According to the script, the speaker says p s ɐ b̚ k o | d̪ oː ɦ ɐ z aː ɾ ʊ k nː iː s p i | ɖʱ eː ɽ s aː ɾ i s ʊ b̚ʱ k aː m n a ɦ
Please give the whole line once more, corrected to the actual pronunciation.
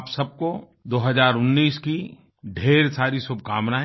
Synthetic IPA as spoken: p s ɐ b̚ k o | d̪ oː ɦ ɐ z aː ɾ ʊ nː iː s k i | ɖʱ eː ɾ s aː ɾ i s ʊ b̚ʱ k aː m n a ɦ

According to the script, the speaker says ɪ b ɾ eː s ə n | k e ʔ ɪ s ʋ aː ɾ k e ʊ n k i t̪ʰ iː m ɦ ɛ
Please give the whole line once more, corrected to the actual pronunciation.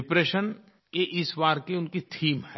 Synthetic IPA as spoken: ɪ p ɾ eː ʃ ə n | k e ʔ ɪ s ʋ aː ɾ k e ʊ n k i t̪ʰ iː m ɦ ɛ

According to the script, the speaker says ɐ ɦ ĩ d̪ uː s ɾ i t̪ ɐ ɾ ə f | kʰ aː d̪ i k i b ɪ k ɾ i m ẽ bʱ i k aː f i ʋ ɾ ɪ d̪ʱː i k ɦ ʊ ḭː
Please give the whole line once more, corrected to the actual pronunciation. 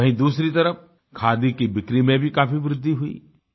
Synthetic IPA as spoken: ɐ ɦ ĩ d̪ uː s ɾ i t̪ ɐ ɾ ə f | kʰ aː d̪ i k i b ɪ k ɾ i m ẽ bʱ i k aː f i ʋ ɾ ɪ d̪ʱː i ɦ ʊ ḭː

